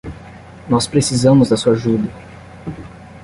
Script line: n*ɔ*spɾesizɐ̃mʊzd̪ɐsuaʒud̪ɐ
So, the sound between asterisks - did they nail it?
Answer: yes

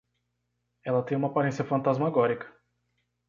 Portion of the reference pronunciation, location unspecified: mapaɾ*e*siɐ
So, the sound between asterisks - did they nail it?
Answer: no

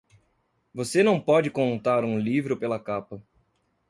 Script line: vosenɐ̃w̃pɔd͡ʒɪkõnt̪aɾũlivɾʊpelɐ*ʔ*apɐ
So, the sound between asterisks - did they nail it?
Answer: no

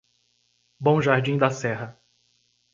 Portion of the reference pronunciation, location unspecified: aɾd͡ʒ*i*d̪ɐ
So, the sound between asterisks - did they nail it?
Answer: no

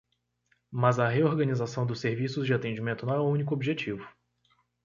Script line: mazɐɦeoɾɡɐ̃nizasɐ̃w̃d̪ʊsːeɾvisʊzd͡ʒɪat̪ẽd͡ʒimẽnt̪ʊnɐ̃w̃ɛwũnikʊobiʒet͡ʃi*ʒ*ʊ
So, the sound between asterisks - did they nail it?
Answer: no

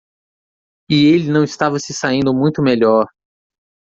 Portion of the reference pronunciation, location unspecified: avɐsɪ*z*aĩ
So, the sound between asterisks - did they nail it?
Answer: no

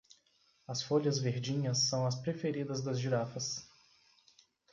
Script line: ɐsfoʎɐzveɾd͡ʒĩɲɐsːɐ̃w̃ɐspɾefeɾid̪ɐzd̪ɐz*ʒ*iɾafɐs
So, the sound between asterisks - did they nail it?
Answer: yes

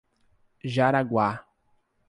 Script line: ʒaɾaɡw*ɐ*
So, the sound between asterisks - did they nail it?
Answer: no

